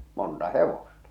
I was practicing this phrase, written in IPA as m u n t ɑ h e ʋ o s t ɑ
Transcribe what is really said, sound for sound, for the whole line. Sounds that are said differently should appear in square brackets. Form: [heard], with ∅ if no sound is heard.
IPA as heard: m [o] n t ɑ h e ʋ o s t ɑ